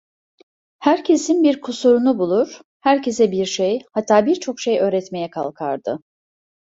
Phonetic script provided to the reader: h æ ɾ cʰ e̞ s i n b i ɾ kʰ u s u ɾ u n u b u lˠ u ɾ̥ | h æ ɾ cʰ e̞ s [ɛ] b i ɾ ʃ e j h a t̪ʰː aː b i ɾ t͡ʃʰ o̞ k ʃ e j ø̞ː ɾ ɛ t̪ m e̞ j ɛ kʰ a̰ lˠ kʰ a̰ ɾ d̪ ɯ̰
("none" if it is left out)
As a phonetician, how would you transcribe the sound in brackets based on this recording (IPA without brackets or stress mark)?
ɛ